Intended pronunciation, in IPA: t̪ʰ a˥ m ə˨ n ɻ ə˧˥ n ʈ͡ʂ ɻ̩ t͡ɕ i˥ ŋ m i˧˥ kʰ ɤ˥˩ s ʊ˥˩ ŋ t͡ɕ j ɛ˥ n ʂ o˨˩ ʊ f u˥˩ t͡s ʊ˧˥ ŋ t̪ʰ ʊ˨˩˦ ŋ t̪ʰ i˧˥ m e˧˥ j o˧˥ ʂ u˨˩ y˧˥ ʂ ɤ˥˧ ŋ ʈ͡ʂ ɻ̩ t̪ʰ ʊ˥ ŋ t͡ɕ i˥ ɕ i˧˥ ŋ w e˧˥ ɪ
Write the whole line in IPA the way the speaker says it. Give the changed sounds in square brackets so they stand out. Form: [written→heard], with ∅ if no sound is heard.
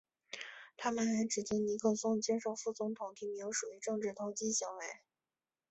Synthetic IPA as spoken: t̪ʰ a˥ m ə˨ n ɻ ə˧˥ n ʈ͡ʂ ɻ̩ t͡ɕ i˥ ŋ [m→n] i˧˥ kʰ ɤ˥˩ s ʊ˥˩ ŋ t͡ɕ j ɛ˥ n ʂ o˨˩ ʊ f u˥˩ t͡s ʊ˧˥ ŋ t̪ʰ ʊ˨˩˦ ŋ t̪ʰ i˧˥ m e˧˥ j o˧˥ ʂ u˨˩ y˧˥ [ʂ→ʈ͡ʂ] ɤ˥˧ ŋ ʈ͡ʂ ɻ̩ t̪ʰ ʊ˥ ŋ t͡ɕ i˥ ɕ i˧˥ ŋ w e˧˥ ɪ